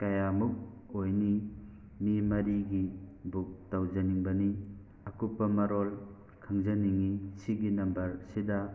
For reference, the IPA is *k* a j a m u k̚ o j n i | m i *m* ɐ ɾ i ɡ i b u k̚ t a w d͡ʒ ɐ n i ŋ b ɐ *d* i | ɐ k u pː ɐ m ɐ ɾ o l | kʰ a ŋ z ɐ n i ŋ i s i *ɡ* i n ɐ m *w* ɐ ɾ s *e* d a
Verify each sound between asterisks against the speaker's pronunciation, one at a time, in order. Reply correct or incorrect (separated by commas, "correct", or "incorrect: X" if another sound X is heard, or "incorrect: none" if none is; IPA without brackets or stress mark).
correct, correct, incorrect: n, correct, incorrect: b, incorrect: i